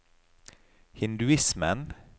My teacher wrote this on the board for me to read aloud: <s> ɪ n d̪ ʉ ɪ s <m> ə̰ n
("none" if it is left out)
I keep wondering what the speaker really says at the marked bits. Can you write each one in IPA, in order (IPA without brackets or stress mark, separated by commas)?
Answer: h, m